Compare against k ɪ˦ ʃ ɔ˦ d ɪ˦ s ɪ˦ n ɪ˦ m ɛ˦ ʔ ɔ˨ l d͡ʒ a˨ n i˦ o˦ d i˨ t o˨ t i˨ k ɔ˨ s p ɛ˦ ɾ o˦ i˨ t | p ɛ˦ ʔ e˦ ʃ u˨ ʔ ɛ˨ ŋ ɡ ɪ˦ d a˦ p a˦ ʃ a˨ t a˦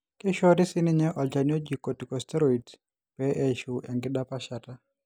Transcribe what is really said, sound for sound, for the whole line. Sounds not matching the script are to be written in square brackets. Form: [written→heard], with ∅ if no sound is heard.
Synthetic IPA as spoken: k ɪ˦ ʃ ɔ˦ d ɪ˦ s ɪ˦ n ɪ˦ [m→ɲ] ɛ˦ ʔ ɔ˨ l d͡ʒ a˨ n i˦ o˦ [d→d͡ʒ] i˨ [t→k] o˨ t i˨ k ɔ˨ s [p→t] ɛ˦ ɾ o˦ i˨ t | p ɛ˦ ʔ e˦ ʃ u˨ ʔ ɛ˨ ŋ ɡ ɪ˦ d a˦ p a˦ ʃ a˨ t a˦